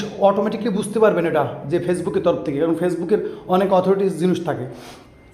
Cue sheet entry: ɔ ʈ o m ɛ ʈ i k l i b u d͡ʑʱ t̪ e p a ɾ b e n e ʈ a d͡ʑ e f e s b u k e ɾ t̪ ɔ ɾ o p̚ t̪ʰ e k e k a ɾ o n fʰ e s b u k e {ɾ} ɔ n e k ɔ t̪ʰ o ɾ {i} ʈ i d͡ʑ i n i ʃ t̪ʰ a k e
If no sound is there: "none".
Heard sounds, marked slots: ɾ, i

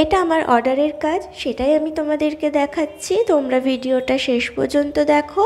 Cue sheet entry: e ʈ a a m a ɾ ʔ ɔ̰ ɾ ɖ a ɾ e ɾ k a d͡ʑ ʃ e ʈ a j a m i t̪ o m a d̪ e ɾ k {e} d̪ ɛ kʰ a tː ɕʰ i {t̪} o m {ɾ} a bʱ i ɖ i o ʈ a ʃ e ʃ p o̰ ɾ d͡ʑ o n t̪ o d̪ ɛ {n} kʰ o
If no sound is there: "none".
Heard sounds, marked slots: e, t̪, ɾ, none

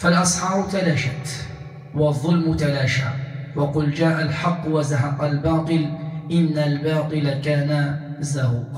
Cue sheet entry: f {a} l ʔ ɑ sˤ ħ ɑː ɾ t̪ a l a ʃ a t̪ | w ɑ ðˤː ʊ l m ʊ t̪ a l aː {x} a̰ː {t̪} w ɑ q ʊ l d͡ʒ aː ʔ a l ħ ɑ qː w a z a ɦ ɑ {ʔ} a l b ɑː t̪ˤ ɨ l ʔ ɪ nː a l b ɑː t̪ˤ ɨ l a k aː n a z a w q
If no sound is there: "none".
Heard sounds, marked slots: a, ʃ, none, q

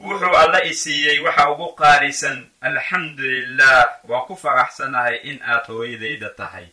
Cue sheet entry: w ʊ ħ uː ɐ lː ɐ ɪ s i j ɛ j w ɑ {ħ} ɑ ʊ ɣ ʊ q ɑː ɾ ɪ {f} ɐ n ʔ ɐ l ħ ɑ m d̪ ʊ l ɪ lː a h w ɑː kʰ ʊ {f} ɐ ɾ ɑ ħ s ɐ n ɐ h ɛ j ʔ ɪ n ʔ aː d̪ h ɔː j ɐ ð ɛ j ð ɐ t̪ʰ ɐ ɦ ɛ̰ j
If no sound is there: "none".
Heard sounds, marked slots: ħ, s, f

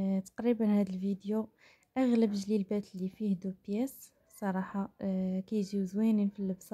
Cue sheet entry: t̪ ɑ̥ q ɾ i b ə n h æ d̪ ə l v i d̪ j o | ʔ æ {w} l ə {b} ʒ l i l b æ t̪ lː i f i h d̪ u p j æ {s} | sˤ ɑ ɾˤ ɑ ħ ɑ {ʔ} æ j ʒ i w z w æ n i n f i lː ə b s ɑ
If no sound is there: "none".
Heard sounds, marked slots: ɣ, b, s, k

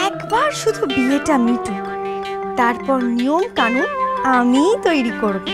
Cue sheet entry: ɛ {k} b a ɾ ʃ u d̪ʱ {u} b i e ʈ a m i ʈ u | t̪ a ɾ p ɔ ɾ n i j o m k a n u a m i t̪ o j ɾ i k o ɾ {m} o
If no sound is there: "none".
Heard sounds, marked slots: k, u, b

